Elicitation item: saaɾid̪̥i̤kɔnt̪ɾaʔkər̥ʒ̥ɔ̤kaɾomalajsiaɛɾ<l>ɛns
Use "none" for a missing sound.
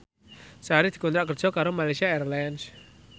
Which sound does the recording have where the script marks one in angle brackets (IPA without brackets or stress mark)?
l